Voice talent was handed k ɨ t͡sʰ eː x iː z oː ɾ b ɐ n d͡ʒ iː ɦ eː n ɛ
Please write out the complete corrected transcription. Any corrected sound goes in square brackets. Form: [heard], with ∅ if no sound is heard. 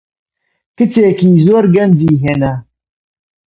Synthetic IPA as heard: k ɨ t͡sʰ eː [k] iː z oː ɾ [ɡ] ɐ n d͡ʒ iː ɦ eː n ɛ